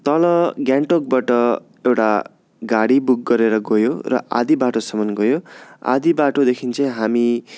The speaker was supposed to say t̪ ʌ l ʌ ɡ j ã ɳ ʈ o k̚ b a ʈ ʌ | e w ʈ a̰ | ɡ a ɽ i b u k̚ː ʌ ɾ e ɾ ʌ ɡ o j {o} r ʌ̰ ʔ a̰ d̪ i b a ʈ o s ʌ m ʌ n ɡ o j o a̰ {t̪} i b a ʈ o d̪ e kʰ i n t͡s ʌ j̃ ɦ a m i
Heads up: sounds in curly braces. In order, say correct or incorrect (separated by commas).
correct, incorrect